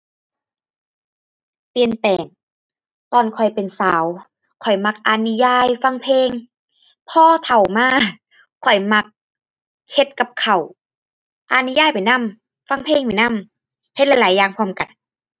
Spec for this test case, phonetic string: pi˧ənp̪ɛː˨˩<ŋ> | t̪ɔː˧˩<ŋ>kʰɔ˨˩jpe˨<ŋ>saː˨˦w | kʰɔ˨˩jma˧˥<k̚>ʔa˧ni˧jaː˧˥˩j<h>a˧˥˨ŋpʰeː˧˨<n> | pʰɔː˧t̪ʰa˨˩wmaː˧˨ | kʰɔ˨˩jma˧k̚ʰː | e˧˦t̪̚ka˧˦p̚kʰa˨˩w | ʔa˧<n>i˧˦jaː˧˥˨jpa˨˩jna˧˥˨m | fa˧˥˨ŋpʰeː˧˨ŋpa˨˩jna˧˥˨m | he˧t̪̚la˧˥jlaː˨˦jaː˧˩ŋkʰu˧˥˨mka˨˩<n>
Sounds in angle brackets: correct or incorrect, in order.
correct, incorrect: n, incorrect: n, correct, incorrect: f, incorrect: ŋ, correct, correct

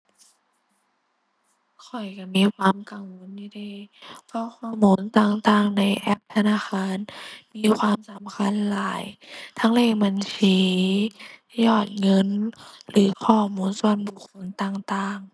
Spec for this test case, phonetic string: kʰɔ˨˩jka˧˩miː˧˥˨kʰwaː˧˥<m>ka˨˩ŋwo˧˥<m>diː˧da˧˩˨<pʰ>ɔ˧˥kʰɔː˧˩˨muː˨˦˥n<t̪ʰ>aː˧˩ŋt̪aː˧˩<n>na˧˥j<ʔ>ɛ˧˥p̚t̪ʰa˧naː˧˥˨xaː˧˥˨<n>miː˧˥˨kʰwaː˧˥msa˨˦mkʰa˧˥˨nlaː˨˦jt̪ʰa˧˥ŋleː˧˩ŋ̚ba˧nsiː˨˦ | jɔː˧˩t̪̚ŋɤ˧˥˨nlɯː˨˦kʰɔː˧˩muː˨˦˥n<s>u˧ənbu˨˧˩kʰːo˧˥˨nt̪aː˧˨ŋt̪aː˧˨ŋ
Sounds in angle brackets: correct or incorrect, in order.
correct, incorrect: n, correct, incorrect: t̪, incorrect: ŋ, correct, correct, correct

